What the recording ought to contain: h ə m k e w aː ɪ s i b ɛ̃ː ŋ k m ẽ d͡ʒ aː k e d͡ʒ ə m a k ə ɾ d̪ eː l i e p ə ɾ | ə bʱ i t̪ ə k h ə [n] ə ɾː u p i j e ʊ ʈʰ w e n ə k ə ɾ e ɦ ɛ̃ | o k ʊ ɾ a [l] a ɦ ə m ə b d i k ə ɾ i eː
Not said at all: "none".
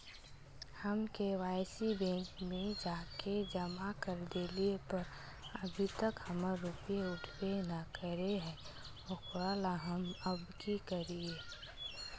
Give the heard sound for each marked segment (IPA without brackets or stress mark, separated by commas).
m, l